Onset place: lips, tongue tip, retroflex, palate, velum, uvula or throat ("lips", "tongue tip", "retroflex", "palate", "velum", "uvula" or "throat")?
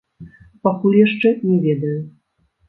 lips